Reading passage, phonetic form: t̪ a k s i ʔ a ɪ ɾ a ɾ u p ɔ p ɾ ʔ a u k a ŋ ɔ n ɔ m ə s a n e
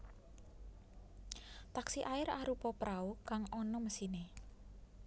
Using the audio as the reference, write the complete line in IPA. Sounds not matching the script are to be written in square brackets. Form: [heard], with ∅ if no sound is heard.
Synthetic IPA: t̪ a k s i ʔ a ɪ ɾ a ɾ u p ɔ p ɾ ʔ a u k a ŋ ɔ n ɔ m ə s [i] n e